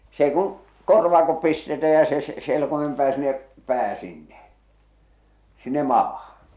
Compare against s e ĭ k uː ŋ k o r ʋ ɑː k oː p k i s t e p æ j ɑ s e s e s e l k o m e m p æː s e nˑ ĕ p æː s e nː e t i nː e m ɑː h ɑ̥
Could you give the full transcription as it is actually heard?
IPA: s e ĭ k u ŋ k o r ʋ ɑː k o p p i s t e t æ j ɑ s e s e s e l k o m e m p æː s i nˑ ĕ p æː s i nː e s i nː e m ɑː h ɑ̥